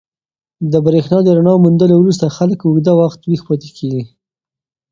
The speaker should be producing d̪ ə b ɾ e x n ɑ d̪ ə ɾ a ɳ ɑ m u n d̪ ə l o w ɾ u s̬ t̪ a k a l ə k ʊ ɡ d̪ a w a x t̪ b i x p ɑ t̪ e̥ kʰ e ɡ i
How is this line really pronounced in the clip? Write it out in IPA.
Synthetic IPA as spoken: d̪ ə b ɾ e x n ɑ d̪ ə ɾ a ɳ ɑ m u n d̪ ə l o w ɾ u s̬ t̪ a x a l ə k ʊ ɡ d̪ a w a x t̪ w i x p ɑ t̪ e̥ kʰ e ɡ i